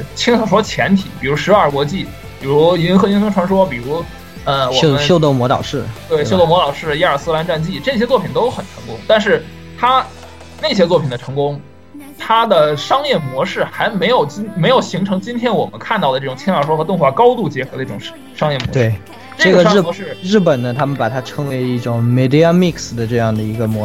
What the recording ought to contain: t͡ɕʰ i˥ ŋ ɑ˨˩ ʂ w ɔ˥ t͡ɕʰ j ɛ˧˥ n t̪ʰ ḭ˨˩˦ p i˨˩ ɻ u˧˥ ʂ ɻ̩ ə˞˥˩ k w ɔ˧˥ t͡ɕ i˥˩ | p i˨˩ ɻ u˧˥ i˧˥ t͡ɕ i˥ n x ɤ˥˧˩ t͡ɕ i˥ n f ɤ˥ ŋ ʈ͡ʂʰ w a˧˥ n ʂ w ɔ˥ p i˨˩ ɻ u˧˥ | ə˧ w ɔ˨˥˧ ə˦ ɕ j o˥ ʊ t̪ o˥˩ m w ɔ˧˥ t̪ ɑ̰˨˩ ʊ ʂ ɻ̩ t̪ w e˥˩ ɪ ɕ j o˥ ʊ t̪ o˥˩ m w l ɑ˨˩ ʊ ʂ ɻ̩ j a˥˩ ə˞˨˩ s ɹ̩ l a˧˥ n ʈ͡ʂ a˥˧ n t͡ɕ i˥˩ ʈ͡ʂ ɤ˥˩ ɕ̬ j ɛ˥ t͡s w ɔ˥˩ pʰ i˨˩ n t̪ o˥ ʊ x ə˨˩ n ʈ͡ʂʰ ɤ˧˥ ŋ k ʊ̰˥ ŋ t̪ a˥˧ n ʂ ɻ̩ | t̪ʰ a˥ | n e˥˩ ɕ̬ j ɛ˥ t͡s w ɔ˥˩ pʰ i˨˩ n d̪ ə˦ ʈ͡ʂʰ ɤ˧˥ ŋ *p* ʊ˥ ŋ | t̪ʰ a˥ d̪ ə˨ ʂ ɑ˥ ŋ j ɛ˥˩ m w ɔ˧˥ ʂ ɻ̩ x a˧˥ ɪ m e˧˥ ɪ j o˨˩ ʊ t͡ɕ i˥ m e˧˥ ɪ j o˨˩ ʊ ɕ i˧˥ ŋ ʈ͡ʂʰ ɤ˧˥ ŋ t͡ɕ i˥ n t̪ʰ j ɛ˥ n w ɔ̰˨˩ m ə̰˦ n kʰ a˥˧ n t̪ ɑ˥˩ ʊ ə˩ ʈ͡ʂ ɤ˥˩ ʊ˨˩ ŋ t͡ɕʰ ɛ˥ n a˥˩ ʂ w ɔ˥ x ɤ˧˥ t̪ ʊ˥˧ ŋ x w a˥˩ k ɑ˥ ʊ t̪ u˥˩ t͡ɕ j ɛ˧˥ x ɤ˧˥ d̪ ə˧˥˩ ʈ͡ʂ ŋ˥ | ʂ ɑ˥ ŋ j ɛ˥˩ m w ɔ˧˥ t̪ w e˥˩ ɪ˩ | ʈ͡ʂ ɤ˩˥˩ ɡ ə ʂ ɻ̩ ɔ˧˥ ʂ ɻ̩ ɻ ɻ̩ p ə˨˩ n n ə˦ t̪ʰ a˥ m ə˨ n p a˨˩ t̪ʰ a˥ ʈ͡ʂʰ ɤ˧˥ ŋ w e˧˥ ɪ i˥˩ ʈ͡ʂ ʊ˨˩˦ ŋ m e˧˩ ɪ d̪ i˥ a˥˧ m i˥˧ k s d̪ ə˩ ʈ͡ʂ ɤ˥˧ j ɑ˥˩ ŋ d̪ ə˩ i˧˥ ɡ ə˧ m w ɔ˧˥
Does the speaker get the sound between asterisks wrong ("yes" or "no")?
yes